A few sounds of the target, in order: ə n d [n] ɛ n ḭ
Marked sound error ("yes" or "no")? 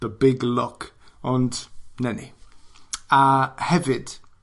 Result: no